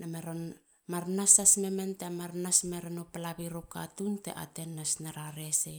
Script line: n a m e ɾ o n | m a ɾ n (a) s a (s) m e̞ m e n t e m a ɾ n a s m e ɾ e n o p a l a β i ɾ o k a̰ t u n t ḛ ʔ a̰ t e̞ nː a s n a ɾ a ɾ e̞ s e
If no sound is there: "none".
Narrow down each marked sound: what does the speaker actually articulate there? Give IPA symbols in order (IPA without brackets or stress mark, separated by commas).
a, s